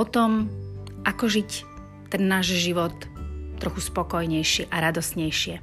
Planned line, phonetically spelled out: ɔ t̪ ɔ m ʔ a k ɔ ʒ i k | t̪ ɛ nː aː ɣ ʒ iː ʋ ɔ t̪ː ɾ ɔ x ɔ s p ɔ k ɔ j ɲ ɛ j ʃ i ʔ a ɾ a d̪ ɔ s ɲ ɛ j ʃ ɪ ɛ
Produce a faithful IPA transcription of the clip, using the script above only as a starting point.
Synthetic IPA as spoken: ɔ t̪ ɔ m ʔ a k ɔ ʒ i c | t̪ ɛ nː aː ʒ ʒ i ʋ ɔ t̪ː ɾ ɔ x u s p ɔ k ɔ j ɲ ɛ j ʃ i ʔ a ɾ a d̪ ɔ s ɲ ɛ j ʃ ɪ ɛ